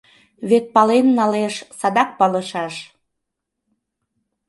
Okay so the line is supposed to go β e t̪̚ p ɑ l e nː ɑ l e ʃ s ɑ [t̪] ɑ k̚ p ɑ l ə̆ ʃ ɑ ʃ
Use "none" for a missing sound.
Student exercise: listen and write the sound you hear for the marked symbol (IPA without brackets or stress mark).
d̪